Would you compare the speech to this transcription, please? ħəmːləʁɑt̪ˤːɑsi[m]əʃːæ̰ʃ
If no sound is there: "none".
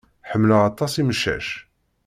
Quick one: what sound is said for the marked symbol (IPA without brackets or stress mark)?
m